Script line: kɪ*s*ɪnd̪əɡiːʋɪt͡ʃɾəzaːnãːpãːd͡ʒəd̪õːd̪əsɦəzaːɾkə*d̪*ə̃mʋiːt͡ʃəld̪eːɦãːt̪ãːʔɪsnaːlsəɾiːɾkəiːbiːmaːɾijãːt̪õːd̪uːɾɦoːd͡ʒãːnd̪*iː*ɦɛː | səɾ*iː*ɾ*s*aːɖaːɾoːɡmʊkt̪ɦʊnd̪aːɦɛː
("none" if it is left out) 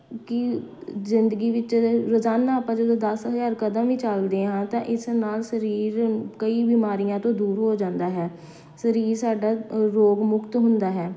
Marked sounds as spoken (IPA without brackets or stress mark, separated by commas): z, d̪, aː, iː, s